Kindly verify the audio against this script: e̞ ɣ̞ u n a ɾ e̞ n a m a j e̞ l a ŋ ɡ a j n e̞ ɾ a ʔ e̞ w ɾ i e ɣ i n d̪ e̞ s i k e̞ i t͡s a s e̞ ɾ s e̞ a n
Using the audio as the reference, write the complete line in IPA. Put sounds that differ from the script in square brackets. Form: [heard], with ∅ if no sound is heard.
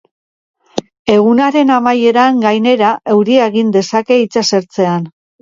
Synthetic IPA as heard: e̞ ɣ̞ u n a ɾ e̞ n a m a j e̞ [ɾ] a ŋ ɡ a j n e̞ ɾ a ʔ e̞ w ɾ i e ɣ i n d̪ e̞ s [a] k e̞ i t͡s a s e̞ ɾ [t͡s] e̞ a n